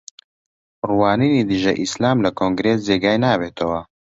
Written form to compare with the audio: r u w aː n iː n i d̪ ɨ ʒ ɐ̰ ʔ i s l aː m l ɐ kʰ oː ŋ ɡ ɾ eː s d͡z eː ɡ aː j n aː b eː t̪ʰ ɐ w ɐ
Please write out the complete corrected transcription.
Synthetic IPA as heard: r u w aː n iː n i d̪ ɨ ʒ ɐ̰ ʔ i s l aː m l ɐ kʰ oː ŋ ɡ ɾ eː s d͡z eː ɡ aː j n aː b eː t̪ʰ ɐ w ɐ

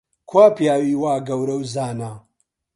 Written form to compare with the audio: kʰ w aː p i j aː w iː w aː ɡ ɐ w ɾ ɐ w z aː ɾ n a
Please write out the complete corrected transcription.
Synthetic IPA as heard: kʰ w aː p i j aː w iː w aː ɡ ɐ w ɾ ɐ w z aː n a

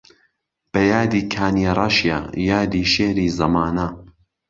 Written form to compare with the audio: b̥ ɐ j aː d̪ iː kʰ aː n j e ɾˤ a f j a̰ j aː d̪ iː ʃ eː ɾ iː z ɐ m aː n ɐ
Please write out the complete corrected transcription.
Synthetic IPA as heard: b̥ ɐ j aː d̪ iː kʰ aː n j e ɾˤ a ʃ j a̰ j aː d̪ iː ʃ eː ɾ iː z ɐ m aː n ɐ

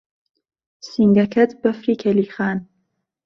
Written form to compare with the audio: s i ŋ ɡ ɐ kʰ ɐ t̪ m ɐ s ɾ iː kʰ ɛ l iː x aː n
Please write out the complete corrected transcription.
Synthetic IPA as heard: s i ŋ ɡ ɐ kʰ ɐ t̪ b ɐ f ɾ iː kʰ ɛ l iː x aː n

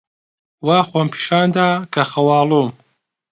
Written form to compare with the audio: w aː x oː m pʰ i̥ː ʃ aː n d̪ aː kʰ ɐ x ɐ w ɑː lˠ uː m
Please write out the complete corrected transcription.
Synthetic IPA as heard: w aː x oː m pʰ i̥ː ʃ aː n d̪ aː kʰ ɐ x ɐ w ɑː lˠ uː m

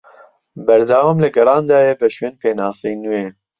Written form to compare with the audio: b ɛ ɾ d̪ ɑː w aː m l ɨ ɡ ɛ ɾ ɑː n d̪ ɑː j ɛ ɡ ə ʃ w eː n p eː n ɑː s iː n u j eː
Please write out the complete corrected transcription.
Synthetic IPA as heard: b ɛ ɾ d̪ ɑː w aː m l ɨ ɡ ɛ ɾ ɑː n d̪ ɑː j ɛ b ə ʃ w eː n p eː n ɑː s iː n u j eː

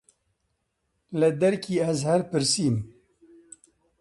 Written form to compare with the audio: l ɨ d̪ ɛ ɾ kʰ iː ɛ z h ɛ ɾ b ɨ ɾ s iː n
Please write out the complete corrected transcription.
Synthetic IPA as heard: l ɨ d̪ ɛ ɾ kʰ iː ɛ z h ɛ ɾ p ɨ ɾ s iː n

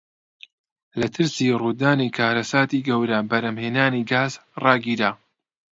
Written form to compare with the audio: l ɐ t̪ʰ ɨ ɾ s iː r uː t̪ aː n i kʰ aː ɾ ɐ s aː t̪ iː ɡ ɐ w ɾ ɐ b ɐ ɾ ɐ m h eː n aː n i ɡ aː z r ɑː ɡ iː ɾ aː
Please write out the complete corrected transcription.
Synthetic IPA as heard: l ɐ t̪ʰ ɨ ɾ s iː r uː d̪ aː n i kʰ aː ɾ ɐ s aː t̪ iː ɡ ɐ w ɾ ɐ b ɐ ɾ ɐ m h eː n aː n i ɡ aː z r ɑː ɡ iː ɾ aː

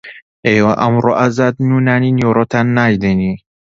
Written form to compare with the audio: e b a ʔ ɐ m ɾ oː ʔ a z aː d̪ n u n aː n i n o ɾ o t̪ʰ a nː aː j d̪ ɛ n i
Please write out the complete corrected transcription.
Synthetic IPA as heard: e w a ʔ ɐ m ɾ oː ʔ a z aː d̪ n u n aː n i n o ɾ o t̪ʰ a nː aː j d̪ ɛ n i

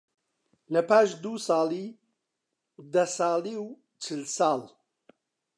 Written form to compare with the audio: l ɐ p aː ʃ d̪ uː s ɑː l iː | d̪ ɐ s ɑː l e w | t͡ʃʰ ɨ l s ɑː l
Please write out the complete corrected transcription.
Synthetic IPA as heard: l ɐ p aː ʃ d̪ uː s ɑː l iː | d̪ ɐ s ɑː l i w | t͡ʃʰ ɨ l s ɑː l

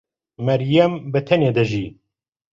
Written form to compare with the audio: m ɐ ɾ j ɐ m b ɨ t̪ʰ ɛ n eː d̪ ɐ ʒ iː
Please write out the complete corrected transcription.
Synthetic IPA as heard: m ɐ ɾ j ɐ m b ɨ t̪ʰ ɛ n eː d̪ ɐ ʒ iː

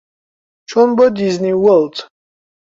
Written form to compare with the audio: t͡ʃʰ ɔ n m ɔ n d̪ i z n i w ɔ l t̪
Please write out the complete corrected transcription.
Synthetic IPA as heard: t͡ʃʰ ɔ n b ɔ d̪ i z n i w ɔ l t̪

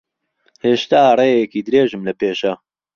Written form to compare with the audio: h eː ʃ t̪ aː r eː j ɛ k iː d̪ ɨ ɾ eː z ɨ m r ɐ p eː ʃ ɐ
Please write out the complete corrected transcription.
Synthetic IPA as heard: h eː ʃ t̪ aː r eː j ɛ k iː d̪ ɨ ɾ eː ʒ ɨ m l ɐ p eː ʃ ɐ

